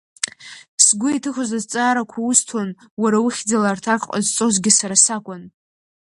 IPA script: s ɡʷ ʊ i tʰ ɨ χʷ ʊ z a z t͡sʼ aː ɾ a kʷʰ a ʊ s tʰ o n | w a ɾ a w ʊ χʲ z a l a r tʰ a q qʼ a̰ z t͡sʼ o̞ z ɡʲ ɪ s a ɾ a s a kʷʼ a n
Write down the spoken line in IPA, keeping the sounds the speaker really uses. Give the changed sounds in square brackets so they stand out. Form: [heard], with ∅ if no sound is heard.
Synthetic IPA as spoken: s ɡʷ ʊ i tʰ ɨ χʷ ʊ z a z t͡sʼ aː ɾ a kʷʰ a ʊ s tʰ o n | w a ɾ a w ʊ χʲ [d͡z] a l a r tʰ a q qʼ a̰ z t͡sʼ o̞ z ɡʲ ɪ s a ɾ a s a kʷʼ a n